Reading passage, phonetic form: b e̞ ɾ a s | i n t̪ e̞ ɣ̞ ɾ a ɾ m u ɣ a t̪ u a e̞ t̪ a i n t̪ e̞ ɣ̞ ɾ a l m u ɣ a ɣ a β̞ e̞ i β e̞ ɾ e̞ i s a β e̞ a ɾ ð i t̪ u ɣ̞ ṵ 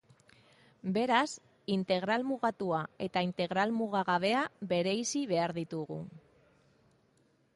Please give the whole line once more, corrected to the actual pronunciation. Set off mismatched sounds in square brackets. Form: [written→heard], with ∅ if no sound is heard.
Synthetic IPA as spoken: b e̞ ɾ a s | i n t̪ e̞ ɣ̞ ɾ a [ɾ→l] m u ɣ a t̪ u a e̞ t̪ a i n t̪ e̞ ɣ̞ ɾ a l m u ɣ a ɣ a β̞ e̞ [i→a] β e̞ ɾ e̞ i s [a→i] β e̞ a ɾ ð i t̪ u ɣ̞ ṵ